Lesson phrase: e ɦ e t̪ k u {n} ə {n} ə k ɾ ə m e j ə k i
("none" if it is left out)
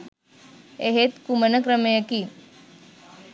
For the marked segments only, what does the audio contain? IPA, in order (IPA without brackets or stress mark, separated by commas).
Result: m, n